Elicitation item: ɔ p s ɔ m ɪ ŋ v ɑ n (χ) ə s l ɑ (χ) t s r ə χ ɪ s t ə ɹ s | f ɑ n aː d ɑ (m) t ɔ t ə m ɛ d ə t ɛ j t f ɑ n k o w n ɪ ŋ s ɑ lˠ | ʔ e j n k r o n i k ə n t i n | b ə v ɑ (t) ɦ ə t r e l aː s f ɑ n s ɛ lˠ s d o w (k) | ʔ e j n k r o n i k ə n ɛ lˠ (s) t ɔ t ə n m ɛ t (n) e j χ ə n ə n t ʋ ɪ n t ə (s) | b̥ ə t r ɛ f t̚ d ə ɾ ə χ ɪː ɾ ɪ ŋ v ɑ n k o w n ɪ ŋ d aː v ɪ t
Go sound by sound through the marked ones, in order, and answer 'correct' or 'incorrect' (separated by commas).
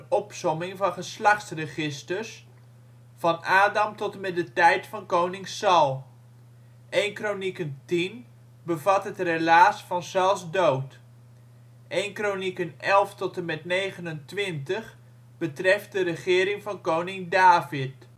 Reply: correct, correct, correct, correct, incorrect, incorrect, correct, incorrect